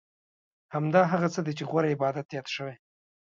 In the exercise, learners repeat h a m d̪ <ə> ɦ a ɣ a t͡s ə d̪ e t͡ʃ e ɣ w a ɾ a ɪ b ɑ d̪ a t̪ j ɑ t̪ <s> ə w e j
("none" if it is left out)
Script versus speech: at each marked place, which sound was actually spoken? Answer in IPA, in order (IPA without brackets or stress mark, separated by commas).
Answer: ɑ, ʃ